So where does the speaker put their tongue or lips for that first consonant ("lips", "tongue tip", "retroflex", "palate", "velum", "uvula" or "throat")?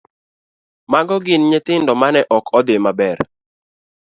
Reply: lips